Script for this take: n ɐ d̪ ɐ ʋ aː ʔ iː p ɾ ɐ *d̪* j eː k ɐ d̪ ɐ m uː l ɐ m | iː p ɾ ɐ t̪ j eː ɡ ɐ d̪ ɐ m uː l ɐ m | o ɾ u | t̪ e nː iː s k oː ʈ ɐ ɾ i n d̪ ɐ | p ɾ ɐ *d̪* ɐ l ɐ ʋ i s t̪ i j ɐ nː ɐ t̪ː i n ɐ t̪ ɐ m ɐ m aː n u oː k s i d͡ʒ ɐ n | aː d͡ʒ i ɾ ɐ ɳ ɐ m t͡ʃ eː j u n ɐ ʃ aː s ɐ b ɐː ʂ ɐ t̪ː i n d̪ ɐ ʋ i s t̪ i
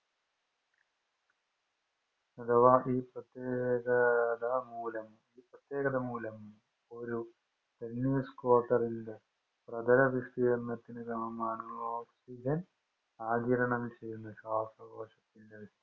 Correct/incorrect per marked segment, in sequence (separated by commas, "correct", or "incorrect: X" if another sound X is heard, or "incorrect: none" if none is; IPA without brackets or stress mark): incorrect: t̪, correct